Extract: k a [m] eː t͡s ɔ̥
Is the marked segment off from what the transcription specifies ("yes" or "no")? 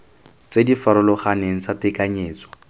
yes